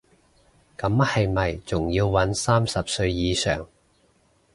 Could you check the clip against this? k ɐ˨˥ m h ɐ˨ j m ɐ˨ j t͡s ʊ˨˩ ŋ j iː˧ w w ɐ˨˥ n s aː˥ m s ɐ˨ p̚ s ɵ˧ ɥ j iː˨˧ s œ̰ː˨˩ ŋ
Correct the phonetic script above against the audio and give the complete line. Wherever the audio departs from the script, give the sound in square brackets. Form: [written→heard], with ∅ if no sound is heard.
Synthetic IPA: k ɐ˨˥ m h ɐ˨ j m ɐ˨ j t͡s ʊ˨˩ ŋ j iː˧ w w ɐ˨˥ n s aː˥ m s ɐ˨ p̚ s ɵ˧ ɥ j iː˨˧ s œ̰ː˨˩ ŋ